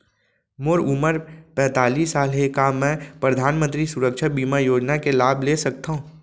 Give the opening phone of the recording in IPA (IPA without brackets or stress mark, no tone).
m